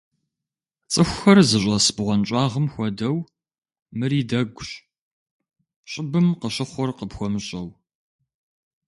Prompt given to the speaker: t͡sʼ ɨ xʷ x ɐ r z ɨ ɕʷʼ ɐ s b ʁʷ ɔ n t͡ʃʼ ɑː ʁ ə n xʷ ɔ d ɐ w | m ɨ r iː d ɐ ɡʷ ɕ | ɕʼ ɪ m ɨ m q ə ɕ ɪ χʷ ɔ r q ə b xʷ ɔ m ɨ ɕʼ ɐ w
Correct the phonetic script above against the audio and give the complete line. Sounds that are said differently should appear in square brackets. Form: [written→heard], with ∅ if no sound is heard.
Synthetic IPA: t͡sʼ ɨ xʷ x ɐ r z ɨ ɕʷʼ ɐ s b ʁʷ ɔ n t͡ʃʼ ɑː ʁ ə [n→m] xʷ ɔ d ɐ w | m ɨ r iː d ɐ ɡʷ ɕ | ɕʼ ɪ [m→b] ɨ m q ə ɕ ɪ χʷ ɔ r q ə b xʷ ɔ m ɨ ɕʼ ɐ w